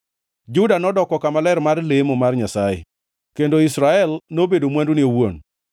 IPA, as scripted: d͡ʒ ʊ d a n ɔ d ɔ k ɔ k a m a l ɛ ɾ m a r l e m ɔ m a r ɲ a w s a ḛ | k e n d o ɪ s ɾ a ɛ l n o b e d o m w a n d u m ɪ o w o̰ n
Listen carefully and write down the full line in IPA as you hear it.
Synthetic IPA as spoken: d͡ʒ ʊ d a n ɔ d ɔ k ɔ k a m a l ɛ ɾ m a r l e m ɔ m a r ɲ a s a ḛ | k e n d o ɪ s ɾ a ɛ l n o b e d o m w a n d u n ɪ o w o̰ n

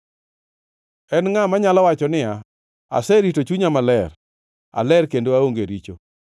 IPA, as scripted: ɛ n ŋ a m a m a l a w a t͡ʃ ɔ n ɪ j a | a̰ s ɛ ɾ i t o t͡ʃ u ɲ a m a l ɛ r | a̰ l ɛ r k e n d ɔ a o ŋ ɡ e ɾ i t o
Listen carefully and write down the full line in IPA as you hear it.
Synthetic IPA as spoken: ɛ n ŋ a m a ɲ a l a w a t͡ʃ ɔ n ɪ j a | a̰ s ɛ ɾ i t o t͡ʃ u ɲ a m a l ɛ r | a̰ l ɛ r k e n d o a o ŋ ɡ e ɾ i t͡ʃ o

